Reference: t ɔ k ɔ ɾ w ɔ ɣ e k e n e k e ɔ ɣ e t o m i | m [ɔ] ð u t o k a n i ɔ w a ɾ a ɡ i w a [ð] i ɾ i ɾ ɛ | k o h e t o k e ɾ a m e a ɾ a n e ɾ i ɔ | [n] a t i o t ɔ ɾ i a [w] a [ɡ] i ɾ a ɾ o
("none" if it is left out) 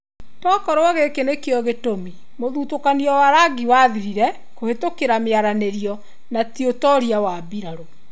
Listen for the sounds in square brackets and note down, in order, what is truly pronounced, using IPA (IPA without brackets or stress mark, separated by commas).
o, ð, n, w, b